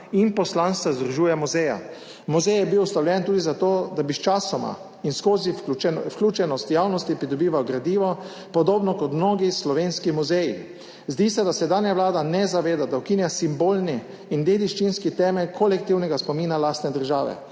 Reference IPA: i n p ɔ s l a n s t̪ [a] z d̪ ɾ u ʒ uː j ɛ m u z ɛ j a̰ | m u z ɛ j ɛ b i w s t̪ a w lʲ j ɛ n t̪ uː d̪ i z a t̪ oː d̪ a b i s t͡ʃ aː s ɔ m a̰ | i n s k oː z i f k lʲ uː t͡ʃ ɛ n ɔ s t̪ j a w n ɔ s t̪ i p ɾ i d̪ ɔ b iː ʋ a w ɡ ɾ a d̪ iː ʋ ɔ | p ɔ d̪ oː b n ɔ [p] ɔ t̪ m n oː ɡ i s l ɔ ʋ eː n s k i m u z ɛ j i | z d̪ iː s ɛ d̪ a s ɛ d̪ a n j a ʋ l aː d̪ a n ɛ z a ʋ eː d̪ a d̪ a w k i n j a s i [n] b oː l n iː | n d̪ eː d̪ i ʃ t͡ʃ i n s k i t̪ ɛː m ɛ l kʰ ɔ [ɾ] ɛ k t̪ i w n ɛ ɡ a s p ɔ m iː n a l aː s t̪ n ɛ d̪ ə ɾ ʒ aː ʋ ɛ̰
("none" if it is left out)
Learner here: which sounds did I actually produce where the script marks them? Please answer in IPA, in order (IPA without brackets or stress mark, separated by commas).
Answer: a, k, m, l